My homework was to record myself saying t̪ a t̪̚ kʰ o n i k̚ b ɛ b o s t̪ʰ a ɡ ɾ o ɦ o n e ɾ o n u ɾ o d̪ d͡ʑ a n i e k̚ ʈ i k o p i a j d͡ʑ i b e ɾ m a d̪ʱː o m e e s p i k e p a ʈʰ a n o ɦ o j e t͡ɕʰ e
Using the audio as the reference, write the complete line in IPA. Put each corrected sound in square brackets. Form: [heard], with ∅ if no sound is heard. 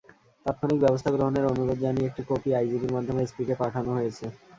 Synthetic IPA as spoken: t̪ a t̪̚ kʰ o n i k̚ b ɛ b o s t̪ʰ a ɡ ɾ o ɦ o n e ɾ o n u ɾ o d̪ d͡ʑ a n i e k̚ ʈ i k o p i a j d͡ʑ i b [i] ɾ m a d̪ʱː o m e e s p i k e p a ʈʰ a n o ɦ o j e t͡ɕʰ e